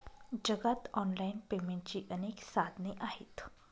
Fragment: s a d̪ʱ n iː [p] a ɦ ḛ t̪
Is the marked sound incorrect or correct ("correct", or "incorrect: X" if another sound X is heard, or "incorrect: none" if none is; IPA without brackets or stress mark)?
incorrect: ʔ